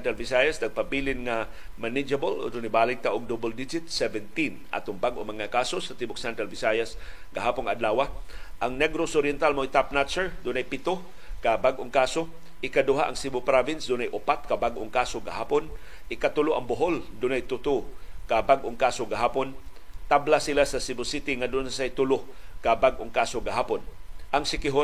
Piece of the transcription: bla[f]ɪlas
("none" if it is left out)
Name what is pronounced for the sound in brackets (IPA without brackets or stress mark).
s